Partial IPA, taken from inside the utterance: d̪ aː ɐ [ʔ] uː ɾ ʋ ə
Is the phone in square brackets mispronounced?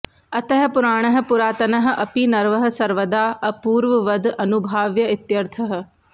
yes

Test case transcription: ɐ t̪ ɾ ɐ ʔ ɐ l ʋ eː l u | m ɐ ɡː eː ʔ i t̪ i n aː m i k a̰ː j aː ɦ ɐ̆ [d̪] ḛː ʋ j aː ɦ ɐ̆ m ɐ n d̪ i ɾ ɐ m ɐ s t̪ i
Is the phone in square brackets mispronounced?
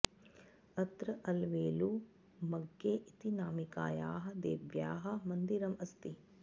no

